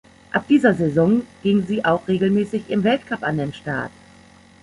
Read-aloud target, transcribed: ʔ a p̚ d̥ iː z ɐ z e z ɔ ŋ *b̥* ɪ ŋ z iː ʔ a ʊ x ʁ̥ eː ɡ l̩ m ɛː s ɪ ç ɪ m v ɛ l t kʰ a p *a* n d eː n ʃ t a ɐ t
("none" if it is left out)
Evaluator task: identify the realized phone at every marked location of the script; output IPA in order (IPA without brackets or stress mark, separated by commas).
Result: ɡ̥, a